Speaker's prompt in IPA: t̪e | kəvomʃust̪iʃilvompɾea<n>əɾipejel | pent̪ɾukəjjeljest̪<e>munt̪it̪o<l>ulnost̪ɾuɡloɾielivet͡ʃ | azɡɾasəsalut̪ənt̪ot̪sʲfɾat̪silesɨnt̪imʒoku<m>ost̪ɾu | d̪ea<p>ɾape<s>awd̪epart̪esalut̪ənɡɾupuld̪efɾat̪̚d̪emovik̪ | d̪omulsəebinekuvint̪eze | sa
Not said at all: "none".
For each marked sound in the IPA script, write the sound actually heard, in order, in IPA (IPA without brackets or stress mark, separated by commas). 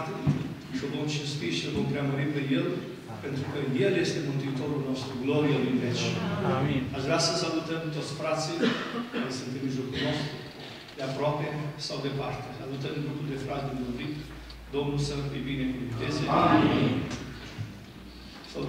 m, e, ɾ, n, p, s